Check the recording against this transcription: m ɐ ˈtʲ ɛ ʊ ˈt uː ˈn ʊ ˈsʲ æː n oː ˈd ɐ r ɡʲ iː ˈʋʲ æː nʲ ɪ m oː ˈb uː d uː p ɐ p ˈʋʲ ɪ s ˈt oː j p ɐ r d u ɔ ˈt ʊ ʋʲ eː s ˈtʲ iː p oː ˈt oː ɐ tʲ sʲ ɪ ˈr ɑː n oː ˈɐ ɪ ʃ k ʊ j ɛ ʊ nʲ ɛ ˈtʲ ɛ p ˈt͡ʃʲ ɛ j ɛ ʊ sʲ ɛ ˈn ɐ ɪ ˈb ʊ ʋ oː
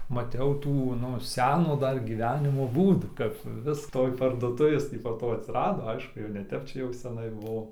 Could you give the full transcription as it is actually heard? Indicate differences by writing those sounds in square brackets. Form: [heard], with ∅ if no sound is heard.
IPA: m ɐ ˈtʲ ɛ ʊ ˈt uː ˈn ʊ ˈsʲ æː n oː ˈd ɐ r ɡʲ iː ˈʋʲ æː nʲ ɪ m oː ˈb uː d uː [k] ɐ p ˈʋʲ ɪ s ˈt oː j p ɐ r d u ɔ ˈt ʊ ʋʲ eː s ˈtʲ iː p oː ˈt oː ɐ tʲ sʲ ɪ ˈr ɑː [d] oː ˈɐ ɪ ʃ k ʊ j ɛ ʊ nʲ ɛ ˈtʲ ɛ p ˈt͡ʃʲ ɛ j ɛ ʊ sʲ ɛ ˈn ɐ ɪ ˈb ʊ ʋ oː

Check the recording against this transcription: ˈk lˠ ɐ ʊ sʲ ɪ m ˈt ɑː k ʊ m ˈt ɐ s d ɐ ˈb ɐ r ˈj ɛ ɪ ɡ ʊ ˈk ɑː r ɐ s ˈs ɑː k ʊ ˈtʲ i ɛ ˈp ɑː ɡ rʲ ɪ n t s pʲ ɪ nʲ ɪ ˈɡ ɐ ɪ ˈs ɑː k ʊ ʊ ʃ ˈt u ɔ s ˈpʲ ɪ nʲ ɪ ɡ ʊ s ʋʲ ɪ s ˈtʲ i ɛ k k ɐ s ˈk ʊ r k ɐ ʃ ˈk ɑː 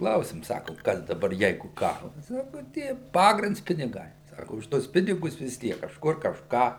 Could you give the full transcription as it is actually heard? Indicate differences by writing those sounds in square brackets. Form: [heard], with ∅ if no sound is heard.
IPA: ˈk lˠ ɐ ʊ sʲ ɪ m [ˈs] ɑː k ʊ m [ˈk] ɐ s d ɐ ˈb ɐ r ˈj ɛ ɪ ɡ ʊ ˈk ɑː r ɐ s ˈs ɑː k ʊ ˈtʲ i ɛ ˈp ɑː ɡ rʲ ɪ n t s pʲ ɪ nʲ ɪ ˈɡ ɐ ɪ ˈs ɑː k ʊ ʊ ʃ ˈt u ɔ s ˈpʲ ɪ nʲ ɪ ɡ ʊ s ʋʲ ɪ s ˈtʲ i ɛ k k ɐ [ʃ] ˈk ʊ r k ɐ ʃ ˈk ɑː

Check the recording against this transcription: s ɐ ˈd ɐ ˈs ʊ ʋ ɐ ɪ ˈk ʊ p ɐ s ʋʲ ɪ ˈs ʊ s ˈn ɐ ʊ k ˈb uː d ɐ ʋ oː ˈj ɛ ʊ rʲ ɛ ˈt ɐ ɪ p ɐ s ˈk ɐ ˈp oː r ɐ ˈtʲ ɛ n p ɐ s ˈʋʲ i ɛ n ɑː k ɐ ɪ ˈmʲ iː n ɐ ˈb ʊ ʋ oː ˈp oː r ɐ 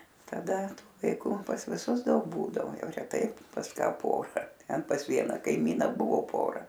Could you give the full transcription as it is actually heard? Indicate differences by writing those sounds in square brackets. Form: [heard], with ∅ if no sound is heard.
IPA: [t] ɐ ˈd ɐ [ˈt] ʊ ʋ ɐ ɪ ˈk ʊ p ɐ s ʋʲ ɪ ˈs ʊ s [ˈd] ɐ ʊ k ˈb uː d ɐ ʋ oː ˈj ɛ ʊ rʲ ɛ ˈt ɐ ɪ p ɐ s ˈk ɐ ˈp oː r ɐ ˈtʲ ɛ n p ɐ s ˈʋʲ i ɛ n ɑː k ɐ ɪ ˈmʲ iː n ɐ ˈb ʊ ʋ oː ˈp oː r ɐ

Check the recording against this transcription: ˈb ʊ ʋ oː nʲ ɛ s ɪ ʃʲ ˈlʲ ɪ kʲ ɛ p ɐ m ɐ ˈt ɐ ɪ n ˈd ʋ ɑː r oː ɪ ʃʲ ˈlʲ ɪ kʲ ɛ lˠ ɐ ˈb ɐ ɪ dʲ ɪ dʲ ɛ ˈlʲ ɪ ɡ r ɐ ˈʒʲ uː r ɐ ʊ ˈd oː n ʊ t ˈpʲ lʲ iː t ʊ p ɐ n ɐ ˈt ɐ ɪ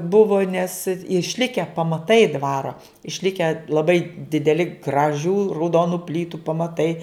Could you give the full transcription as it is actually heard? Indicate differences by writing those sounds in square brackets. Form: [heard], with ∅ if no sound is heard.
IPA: ˈb ʊ ʋ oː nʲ ɛ s ɪ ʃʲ ˈlʲ ɪ kʲ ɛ p ɐ m ɐ ˈt ɐ ɪ [∅] ˈd ʋ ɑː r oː ɪ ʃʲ ˈlʲ ɪ kʲ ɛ lˠ ɐ ˈb ɐ ɪ dʲ ɪ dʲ ɛ ˈlʲ ɪ ɡ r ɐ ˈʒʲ uː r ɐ ʊ ˈd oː n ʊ [∅] ˈpʲ lʲ iː t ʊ p ɐ [m] ɐ ˈt ɐ ɪ

